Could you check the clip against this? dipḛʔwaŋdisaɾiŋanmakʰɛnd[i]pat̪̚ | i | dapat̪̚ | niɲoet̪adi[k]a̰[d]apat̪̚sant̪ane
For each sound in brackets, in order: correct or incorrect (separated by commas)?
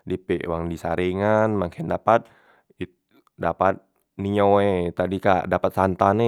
incorrect, correct, correct